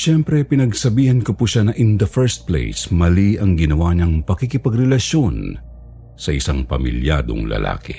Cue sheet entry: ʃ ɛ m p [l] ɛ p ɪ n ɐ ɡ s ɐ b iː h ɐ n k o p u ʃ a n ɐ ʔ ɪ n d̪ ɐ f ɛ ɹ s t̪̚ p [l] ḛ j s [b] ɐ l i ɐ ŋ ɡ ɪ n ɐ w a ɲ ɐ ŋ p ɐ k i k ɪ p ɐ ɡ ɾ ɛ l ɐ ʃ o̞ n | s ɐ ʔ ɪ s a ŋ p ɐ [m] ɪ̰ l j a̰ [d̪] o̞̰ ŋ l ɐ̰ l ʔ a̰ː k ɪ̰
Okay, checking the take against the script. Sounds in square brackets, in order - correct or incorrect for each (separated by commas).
incorrect, correct, incorrect, correct, correct